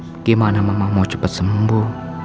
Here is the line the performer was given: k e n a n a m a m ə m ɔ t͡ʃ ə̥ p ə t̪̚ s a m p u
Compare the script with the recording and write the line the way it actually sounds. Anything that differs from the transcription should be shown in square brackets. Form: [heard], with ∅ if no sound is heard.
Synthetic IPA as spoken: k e [m] a n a m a m [a] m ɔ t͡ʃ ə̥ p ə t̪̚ s [ə] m [b] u